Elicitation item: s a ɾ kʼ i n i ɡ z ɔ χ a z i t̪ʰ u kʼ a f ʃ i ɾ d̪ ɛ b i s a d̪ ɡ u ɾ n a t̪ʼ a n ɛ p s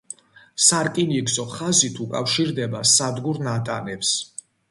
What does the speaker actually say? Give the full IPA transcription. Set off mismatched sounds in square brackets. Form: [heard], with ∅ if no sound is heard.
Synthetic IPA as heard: s a ɾ kʼ i n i ɡ z ɔ χ a z i t̪ʰ u kʼ a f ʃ i ɾ d̪ ɛ b [a] s a d̪ ɡ u ɾ n a t̪ʼ a n ɛ p s